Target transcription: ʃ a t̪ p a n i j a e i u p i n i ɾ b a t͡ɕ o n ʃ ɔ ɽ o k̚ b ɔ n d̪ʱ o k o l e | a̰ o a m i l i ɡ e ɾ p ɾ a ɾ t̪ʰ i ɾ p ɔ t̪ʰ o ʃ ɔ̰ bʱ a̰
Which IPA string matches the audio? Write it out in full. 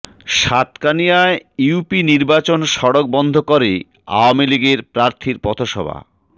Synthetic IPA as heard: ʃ a t̪ k a n i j a e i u p i n i ɾ b a t͡ɕ o n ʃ ɔ ɽ o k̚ b ɔ n d̪ʱ o k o ɾ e | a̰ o a m i l i ɡ e ɾ p ɾ a ɾ t̪ʰ i ɾ p ɔ t̪ʰ o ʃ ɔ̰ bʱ a̰